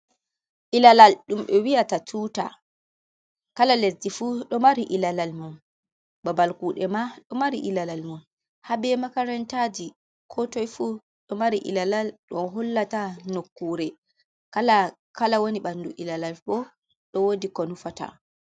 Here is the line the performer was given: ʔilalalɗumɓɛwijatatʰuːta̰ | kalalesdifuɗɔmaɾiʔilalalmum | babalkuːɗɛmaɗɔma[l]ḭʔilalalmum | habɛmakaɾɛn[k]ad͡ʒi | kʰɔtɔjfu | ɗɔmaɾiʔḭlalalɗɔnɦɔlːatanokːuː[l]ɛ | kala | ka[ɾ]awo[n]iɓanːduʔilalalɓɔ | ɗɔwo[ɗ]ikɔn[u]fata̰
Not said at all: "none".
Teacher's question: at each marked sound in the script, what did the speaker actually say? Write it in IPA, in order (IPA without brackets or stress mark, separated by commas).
ɾ, t, ɾ, l, n, d, u